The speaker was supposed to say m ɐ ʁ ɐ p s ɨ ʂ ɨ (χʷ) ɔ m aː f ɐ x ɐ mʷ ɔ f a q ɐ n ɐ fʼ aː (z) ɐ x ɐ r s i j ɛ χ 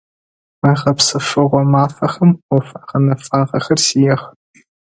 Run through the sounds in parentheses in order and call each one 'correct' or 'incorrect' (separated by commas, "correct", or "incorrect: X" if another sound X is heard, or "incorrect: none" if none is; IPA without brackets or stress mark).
incorrect: ʁʷ, incorrect: ʁ